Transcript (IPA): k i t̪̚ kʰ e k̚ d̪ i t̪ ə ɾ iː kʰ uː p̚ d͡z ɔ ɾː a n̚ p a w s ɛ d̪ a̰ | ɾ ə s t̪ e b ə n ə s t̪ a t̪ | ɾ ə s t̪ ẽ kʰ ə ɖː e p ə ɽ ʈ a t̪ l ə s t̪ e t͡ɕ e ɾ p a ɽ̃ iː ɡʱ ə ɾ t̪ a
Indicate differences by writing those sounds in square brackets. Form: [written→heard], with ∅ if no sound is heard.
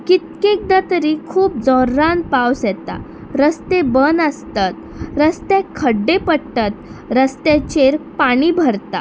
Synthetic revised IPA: k i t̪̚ [kʰ→k] e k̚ d̪ [i→a] t̪ ə ɾ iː kʰ uː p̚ d͡z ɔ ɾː a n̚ p a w s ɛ [d̪→t̪] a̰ | ɾ ə s t̪ e b ə n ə s t̪ a t̪ | ɾ ə s t̪ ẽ kʰ ə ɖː e p ə ɽ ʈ a t̪ [l→ɾ] ə s t̪ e t͡ɕ e ɾ p a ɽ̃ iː [ɡʱ→bʱ] ə ɾ t̪ a